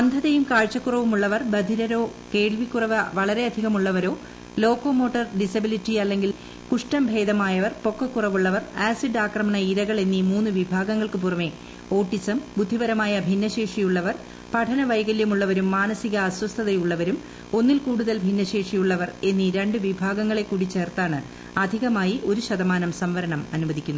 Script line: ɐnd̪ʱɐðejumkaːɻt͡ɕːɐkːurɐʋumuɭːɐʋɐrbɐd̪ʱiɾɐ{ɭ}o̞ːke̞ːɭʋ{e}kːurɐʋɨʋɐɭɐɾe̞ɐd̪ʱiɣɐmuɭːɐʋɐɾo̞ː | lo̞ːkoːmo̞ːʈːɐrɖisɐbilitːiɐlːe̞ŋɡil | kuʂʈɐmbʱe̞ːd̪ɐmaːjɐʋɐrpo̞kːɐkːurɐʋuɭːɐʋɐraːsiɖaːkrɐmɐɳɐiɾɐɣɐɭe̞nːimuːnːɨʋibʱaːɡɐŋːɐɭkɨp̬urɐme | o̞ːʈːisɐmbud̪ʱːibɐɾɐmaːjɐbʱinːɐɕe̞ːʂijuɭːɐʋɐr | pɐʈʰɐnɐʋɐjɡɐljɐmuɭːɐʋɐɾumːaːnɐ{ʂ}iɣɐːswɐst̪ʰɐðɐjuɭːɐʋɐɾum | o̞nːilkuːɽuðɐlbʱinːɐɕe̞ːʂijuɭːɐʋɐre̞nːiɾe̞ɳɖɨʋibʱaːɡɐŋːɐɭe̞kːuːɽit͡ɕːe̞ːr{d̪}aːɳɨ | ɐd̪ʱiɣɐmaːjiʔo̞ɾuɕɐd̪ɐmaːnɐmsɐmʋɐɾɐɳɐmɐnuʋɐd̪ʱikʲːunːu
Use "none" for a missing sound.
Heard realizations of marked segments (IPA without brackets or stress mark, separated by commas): ɾ, i, s, t̪